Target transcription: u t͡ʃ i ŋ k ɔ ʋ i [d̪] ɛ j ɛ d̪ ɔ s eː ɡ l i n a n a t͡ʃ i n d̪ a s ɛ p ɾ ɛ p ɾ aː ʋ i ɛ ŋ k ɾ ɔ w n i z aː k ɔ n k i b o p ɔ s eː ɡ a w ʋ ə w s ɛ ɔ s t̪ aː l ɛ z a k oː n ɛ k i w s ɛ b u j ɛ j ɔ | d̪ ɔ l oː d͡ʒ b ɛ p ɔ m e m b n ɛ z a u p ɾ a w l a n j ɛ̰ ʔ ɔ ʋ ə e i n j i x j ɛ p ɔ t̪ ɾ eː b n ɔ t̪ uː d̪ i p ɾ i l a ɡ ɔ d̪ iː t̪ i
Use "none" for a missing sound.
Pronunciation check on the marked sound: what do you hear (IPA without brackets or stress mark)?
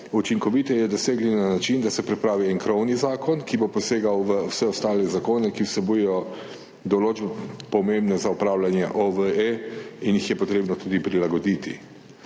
t̪